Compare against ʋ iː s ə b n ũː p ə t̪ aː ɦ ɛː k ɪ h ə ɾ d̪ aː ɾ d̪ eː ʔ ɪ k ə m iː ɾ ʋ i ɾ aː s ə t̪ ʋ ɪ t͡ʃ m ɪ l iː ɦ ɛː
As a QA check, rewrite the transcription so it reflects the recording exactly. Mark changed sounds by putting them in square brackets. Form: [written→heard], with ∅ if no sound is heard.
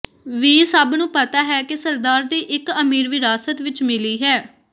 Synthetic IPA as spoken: ʋ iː s ə b n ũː p ə t̪ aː ɦ ɛː k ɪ [h→s] ə ɾ d̪ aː ɾ d̪ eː ʔ ɪ k ə m iː ɾ ʋ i ɾ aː s ə t̪ ʋ ɪ t͡ʃ m ɪ l iː ɦ ɛː